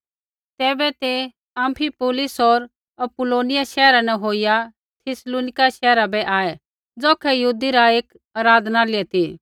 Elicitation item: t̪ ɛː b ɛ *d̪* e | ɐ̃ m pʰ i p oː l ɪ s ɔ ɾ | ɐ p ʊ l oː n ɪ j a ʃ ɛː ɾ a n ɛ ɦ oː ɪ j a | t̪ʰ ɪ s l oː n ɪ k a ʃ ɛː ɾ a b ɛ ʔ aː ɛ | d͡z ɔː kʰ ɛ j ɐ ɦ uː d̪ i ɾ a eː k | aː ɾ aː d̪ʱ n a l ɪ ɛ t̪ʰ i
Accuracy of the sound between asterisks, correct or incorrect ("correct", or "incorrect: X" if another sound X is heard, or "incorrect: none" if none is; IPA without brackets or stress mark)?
incorrect: t̪